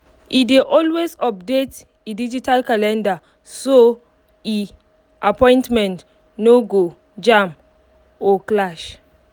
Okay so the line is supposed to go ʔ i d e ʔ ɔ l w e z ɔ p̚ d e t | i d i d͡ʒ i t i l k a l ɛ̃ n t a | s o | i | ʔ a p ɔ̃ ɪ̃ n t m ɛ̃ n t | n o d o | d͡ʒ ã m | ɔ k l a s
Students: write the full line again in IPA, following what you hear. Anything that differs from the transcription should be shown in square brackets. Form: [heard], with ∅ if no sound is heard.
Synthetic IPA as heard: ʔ i d e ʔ ɔ l w e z ɔ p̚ d e t | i d i d͡ʒ i t [a] l k a l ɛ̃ n [d] a | s o | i | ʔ a p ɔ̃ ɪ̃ n t m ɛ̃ n t | n o [ɡ] o | d͡ʒ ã m | ɔ k l a [ʃ]